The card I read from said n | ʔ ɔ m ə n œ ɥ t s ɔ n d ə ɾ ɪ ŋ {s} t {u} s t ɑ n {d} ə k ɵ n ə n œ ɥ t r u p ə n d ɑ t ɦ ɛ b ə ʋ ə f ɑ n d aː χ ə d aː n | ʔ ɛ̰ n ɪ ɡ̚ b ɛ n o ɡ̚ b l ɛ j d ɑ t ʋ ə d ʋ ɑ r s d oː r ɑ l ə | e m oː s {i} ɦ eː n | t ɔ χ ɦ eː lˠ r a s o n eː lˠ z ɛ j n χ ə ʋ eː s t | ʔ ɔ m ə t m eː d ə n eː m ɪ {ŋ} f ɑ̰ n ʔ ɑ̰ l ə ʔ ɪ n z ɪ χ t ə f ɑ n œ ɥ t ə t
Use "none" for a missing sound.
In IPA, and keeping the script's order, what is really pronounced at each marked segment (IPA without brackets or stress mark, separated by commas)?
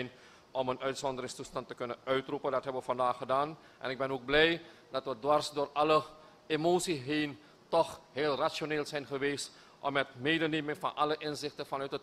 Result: s, u, t, i, ŋ